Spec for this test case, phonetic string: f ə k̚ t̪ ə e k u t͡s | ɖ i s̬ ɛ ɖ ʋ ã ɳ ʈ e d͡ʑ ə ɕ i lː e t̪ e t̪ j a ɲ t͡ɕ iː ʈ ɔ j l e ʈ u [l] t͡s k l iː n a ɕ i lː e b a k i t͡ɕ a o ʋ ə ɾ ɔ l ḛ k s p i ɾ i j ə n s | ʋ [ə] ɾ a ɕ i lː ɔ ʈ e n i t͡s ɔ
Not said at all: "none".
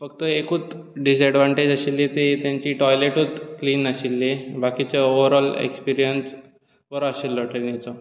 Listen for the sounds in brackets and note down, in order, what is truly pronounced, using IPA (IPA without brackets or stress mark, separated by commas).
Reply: none, ə